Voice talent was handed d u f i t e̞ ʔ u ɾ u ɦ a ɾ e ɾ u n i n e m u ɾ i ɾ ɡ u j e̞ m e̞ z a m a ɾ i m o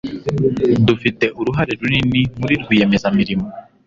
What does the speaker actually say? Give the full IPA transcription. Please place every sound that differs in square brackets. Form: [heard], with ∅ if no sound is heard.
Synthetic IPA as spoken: d u f i t e̞ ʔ u ɾ u ɦ a ɾ e ɾ u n i n [i] m u ɾ i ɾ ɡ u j e̞ m e̞ z a m [i] ɾ i m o